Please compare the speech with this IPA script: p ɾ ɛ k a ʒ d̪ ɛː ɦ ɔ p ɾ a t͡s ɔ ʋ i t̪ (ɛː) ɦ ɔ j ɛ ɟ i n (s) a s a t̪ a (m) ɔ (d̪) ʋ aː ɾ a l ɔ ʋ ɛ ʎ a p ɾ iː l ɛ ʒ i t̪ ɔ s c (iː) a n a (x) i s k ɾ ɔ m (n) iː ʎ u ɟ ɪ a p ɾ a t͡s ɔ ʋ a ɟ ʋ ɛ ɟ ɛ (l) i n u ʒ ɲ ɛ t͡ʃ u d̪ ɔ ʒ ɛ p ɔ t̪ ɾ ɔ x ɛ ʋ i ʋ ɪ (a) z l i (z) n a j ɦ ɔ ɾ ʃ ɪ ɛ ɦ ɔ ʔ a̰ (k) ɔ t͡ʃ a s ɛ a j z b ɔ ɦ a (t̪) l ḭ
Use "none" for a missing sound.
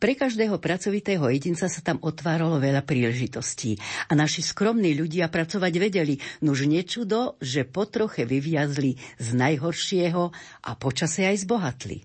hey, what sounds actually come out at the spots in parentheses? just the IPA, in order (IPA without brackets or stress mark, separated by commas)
ɛː, t͡s, m, t̪, iː, ʃ, n, l, a, z, p, t̪